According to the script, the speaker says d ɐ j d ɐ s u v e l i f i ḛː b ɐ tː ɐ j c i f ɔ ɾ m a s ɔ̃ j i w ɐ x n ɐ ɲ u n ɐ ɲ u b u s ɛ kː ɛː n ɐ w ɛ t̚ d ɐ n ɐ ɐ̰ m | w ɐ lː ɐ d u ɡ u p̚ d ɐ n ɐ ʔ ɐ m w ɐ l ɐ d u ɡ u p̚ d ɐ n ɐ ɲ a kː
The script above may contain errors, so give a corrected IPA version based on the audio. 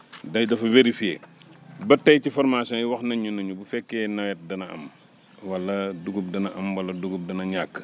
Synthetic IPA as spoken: d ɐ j d ɐ f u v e ɾ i f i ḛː b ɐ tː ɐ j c i f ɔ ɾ m a s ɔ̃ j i w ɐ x n ɐ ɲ u n ɐ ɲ u b u f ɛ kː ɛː n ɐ w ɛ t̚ d ɐ n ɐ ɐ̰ m | w ɐ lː ɐ d u ɡ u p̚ d ɐ n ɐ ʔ ɐ m w ɐ l ɐ d u ɡ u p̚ d ɐ n ɐ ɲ a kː